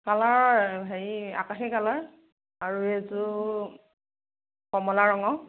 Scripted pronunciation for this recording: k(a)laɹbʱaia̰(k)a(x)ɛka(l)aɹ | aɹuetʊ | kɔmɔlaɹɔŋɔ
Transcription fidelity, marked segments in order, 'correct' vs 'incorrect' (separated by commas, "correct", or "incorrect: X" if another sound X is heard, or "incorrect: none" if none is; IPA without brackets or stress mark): correct, correct, correct, correct